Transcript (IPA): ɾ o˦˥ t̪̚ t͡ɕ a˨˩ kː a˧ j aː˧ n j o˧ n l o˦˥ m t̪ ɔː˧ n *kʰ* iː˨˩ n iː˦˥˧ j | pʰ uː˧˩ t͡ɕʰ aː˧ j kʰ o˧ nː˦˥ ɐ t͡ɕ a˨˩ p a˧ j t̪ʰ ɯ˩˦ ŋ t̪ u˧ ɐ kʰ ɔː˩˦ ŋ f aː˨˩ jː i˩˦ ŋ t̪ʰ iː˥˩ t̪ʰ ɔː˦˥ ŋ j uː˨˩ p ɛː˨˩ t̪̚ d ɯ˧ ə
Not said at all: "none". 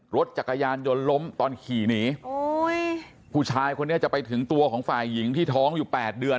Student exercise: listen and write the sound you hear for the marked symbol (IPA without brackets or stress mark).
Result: kʰ